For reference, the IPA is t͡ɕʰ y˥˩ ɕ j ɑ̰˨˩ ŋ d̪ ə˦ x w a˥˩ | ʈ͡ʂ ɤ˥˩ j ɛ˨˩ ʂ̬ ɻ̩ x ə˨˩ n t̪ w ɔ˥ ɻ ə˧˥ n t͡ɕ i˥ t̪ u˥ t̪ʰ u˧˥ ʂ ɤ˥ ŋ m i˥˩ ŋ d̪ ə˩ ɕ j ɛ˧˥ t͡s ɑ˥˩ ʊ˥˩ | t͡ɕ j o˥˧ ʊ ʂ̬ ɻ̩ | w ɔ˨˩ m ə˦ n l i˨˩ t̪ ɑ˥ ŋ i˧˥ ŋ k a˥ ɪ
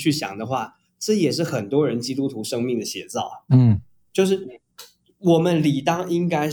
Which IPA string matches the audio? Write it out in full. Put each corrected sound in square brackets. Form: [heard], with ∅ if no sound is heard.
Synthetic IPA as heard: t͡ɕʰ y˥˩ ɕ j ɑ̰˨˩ ŋ d̪ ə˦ x w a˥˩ | ʈ͡ʂ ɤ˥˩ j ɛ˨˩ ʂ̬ ɻ̩ x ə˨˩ n t̪ w ɔ˥ ɻ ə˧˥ n t͡ɕ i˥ t̪ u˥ t̪ʰ u˧˥ ʂ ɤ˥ ŋ m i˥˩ ŋ d̪ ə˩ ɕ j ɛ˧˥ t͡s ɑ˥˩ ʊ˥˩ | t͡ɕ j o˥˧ ʊ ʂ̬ ɻ̩ | w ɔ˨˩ m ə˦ n l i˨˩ t̪ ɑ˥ ŋ [i˥] ŋ k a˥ ɪ